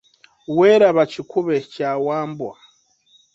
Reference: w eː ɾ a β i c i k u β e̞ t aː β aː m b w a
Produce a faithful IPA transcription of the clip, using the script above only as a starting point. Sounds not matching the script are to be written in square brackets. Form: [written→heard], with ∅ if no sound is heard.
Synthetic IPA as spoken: w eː ɾ a β [i→a] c i k u β e̞ [t→c] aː [β→w] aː m b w a

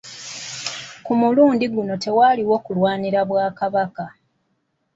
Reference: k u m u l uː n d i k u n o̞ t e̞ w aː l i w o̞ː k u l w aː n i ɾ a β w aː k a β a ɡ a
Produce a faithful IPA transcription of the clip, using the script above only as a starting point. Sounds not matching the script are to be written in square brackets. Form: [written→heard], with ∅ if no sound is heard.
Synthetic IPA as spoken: k u m u l uː n d i [k→ɡ] u n o̞ t e̞ w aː l i w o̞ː k u l w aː n i ɾ a β w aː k a β a [ɡ→k] a

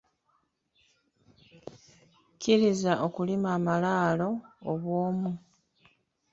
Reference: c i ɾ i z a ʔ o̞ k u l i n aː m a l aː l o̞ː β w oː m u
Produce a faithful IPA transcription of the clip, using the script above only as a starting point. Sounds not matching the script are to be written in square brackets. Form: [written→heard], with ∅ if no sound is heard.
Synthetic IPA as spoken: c i ɾ i z a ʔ o̞ k u l i [n→m] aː m a l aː l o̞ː β w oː m u

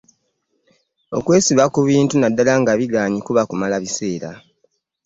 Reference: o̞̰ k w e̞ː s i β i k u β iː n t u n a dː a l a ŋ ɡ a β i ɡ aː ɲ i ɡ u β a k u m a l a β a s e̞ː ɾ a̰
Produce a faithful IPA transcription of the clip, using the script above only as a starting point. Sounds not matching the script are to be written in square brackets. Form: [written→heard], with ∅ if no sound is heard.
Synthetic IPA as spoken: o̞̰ k w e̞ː s i β [i→a] k u β iː n t u n a dː a l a ŋ ɡ a β i ɡ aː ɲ i [ɡ→k] u β a k u m a l a β [a→i] s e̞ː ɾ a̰

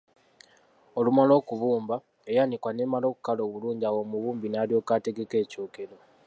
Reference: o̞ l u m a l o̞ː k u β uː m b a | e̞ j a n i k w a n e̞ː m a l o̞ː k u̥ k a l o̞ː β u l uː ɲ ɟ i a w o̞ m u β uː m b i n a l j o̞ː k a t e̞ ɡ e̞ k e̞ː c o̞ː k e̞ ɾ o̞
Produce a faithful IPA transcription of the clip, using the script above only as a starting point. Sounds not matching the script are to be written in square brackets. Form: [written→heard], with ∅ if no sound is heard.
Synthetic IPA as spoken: o̞ l u m a l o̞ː k u β uː m b a | e̞ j a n i k w a n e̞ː m a l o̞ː k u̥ k a l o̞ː β u l uː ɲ ɟ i a w o̞ m u β uː m b i n a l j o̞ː k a t e̞ ɡ e̞ k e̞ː c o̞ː k e̞ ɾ o̞

